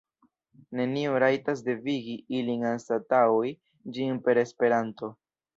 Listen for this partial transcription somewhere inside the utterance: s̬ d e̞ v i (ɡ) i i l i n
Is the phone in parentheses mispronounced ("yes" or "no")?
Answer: no